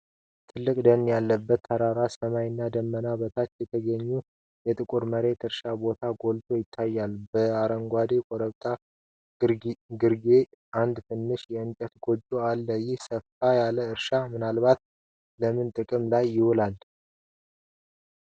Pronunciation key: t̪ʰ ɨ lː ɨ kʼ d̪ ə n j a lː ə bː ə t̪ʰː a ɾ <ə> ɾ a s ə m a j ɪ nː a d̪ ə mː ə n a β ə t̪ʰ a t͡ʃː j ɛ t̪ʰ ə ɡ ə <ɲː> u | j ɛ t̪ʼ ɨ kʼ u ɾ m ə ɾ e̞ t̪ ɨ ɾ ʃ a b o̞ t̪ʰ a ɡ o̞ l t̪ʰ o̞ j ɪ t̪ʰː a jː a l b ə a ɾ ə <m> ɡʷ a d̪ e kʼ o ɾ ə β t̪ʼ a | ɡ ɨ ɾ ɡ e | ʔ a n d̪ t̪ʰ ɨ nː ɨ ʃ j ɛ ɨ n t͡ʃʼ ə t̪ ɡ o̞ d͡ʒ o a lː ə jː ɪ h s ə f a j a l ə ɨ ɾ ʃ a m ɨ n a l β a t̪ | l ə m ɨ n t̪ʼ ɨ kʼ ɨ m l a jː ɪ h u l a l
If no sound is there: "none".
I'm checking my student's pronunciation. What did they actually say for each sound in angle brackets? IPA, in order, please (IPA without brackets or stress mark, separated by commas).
a, ɲː, ŋ